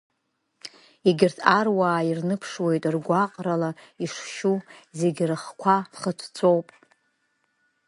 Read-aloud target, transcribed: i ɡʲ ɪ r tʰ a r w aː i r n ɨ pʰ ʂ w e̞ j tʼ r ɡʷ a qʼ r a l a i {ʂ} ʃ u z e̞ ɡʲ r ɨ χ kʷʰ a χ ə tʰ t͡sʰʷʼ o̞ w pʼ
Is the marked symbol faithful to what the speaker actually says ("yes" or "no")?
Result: yes